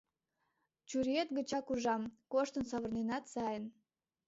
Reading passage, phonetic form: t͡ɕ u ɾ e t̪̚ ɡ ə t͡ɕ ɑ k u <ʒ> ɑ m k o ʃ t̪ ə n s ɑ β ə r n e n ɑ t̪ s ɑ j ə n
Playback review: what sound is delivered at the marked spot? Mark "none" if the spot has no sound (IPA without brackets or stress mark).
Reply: ʒ